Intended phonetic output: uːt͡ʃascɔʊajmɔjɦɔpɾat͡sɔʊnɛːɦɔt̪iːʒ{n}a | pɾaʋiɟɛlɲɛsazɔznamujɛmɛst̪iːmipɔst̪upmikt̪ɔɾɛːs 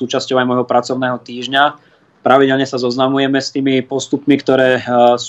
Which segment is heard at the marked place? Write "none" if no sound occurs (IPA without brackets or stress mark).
ɲ